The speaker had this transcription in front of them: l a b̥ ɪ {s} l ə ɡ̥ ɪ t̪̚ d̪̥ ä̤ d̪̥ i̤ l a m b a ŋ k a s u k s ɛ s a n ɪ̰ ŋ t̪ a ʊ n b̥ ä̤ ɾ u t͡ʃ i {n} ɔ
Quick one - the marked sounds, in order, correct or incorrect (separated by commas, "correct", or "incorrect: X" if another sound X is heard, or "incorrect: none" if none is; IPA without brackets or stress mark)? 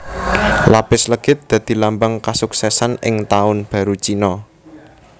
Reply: correct, correct